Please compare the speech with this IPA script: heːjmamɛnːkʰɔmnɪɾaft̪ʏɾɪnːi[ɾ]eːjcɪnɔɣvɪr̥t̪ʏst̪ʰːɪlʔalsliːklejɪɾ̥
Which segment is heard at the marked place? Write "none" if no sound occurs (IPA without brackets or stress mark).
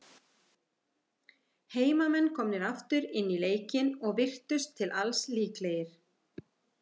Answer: l